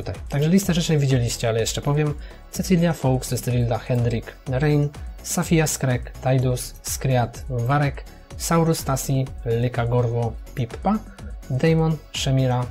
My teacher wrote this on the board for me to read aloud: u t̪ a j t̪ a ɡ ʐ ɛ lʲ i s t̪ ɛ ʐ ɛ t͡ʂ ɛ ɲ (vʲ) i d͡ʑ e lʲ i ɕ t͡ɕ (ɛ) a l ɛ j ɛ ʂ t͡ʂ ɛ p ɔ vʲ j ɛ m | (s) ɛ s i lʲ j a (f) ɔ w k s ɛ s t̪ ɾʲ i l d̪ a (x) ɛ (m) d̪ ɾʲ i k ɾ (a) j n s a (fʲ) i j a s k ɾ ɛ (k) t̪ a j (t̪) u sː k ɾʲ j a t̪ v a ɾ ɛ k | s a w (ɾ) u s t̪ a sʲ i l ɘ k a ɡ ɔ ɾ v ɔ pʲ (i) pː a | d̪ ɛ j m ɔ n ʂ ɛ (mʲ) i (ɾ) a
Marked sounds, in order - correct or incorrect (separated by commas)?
correct, correct, correct, correct, correct, incorrect, incorrect, correct, correct, incorrect, correct, correct, correct, correct